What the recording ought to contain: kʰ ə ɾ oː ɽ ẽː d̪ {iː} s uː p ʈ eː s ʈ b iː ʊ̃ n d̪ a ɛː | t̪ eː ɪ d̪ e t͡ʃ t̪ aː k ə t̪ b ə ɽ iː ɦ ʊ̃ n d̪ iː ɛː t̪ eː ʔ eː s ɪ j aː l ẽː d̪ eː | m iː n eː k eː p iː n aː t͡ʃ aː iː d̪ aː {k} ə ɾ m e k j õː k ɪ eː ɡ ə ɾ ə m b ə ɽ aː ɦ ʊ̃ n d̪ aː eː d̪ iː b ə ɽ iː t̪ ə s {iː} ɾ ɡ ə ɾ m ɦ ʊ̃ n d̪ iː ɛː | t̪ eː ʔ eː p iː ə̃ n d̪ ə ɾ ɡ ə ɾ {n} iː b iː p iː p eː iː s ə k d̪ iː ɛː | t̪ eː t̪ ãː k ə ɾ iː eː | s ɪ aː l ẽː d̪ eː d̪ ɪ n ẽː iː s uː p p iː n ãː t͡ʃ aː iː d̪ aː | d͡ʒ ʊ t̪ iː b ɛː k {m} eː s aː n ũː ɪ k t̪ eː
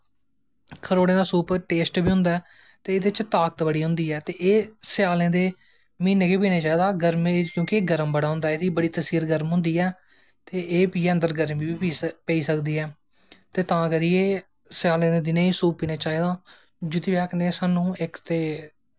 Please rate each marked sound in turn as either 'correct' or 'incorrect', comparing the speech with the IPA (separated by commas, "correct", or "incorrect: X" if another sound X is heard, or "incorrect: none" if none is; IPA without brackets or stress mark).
incorrect: aː, incorrect: ɡ, correct, incorrect: m, incorrect: n